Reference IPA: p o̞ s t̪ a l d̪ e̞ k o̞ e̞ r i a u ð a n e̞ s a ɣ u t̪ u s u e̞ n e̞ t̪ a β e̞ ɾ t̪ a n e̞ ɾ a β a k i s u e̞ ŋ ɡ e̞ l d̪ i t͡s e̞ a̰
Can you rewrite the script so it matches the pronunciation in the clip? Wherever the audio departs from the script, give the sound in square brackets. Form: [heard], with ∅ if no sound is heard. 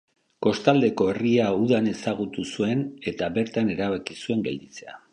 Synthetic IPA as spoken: [k] o̞ s t̪ a l d̪ e̞ k o̞ e̞ r i a u ð a n e̞ s a ɣ u t̪ u s u e̞ n e̞ t̪ a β e̞ ɾ t̪ a n e̞ ɾ a β a k i s u e̞ ŋ ɡ e̞ l d̪ i t͡s e̞ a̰